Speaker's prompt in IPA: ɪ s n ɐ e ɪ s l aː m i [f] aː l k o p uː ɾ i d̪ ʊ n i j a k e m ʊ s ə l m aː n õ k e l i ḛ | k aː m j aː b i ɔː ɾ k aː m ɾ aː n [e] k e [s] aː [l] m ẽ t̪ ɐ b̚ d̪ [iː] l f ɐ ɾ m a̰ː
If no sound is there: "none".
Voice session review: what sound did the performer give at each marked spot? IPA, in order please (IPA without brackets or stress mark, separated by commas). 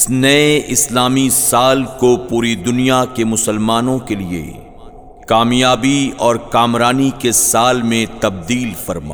s, i, s, l, iː